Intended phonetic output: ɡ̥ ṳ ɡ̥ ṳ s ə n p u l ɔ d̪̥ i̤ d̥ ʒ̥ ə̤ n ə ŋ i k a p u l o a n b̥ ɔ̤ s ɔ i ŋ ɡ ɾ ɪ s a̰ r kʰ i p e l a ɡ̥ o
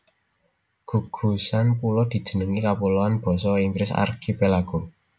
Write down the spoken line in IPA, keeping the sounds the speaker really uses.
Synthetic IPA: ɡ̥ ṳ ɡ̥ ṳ s a n p u l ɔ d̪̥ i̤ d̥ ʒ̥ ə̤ n ə ŋ i k a p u l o a n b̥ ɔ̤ s ɔ i ŋ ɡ ɾ ɪ s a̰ r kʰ i p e l a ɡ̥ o